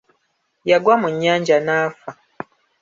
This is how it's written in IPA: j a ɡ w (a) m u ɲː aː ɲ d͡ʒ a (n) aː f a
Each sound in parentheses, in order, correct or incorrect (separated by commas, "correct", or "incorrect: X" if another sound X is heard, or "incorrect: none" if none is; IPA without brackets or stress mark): correct, correct